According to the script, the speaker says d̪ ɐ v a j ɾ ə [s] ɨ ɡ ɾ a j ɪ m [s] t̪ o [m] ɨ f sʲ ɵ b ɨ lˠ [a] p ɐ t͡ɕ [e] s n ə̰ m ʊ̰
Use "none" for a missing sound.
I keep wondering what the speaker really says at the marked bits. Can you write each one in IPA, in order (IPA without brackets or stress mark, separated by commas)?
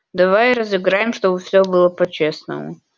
z, ʂ, b, ə, e